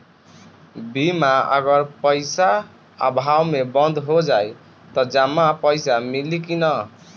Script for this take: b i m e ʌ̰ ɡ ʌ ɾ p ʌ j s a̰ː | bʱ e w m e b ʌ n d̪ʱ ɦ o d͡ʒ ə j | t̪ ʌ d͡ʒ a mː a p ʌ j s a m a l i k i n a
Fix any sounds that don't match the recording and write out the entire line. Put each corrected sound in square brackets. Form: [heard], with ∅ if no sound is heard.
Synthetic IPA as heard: b i m [a] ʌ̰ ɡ ʌ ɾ p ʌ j s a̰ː | bʱ [a] w m e b ʌ n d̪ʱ ɦ o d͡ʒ [a] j | t̪ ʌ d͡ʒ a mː a p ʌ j s a m [i] l i k i n [ʌ]